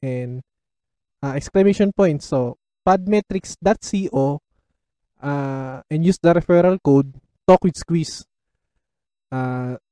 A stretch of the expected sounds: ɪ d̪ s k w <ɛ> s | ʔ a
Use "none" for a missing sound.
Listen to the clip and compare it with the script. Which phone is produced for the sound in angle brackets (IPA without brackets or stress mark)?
i